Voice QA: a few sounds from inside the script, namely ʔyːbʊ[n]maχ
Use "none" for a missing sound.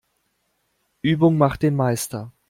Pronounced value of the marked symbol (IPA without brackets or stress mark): ŋ